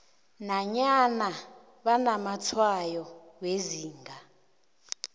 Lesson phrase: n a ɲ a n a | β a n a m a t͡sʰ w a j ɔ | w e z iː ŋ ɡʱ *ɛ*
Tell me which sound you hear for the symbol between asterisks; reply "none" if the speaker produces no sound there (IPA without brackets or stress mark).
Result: a